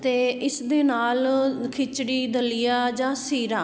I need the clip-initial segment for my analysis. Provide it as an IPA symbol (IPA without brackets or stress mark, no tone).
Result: t̪